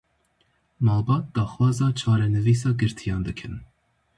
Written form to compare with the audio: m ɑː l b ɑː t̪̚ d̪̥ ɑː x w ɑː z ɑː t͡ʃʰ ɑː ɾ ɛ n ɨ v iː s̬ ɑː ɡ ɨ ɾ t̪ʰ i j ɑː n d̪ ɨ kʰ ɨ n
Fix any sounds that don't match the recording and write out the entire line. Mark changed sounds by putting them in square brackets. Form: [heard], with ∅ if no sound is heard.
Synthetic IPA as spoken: m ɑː l b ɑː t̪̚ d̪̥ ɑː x w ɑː z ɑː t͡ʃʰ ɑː ɾ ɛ n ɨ v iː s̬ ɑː ɡ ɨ ɾ t̪ʰ i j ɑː n d̪ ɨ kʰ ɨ n